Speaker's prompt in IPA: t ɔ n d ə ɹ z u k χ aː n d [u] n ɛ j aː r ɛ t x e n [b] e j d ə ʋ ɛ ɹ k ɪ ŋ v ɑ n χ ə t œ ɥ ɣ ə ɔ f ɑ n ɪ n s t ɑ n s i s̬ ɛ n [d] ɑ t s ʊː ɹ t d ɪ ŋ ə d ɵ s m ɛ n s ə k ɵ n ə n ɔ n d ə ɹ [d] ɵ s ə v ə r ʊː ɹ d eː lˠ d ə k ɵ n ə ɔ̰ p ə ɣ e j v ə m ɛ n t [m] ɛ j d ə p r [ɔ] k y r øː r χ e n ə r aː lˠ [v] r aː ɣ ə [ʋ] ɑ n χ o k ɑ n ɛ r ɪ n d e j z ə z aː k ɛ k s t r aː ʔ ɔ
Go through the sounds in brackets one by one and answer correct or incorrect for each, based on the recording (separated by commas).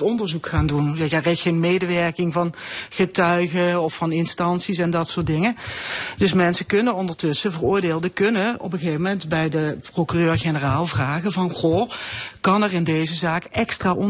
correct, incorrect, correct, incorrect, incorrect, incorrect, correct, incorrect